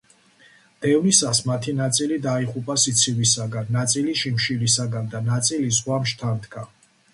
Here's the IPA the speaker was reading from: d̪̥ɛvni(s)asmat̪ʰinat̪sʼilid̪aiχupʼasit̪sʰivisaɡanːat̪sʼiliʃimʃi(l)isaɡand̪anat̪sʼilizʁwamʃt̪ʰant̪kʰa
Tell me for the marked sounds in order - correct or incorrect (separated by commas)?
correct, correct